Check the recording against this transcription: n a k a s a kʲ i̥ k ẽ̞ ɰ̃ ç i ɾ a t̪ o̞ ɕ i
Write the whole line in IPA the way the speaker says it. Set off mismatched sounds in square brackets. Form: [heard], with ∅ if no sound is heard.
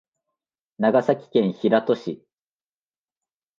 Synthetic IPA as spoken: n a [ɡ] a s a kʲ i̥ k ẽ̞ ɰ̃ ç i ɾ a t̪ o̞ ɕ i